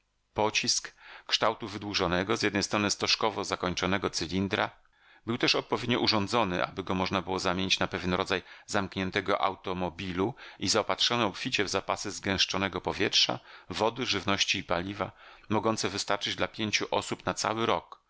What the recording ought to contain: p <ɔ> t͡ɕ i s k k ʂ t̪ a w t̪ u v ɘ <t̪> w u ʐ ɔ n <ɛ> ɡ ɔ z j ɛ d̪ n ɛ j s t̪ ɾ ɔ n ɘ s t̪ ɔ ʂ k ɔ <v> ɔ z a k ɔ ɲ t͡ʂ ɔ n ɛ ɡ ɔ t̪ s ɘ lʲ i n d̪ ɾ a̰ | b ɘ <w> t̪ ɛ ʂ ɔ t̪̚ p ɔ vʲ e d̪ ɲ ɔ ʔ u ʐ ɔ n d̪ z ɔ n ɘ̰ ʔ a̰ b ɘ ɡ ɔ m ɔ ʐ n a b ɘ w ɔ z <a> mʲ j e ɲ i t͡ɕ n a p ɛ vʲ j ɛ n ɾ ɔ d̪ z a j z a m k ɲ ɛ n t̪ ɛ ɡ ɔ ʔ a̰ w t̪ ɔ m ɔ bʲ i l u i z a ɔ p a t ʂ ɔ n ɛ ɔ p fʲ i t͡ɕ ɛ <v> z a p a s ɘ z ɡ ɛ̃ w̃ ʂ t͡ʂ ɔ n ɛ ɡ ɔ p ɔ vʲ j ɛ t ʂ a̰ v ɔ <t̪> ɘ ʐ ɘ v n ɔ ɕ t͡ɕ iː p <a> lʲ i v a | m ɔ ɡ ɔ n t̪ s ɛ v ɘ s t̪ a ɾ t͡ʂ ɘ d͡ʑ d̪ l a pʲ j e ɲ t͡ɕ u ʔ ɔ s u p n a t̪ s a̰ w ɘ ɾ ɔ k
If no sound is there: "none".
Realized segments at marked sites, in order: ɔ, d̪, ɛ, v, w, a, v, d̪, a

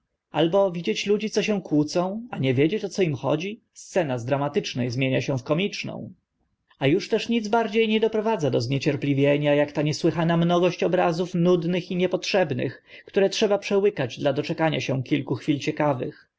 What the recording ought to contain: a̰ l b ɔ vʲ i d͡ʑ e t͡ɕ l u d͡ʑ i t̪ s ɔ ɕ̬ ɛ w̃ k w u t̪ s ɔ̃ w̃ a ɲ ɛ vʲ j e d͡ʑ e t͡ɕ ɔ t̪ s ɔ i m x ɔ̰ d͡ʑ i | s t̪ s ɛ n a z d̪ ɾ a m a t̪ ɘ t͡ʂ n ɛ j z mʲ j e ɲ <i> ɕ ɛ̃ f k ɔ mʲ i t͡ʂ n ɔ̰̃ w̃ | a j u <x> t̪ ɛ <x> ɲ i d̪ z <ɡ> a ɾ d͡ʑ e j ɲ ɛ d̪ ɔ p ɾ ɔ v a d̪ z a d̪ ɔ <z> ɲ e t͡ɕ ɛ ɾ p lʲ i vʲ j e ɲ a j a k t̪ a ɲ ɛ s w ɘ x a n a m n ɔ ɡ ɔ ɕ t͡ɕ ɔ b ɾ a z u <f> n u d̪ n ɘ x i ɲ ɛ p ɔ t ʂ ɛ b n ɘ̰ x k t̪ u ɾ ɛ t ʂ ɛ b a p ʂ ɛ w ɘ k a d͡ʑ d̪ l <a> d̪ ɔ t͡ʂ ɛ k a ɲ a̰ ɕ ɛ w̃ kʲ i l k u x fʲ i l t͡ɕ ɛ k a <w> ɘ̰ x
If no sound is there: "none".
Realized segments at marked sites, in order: a, ʂ, ʂ, b, z, f, a, v

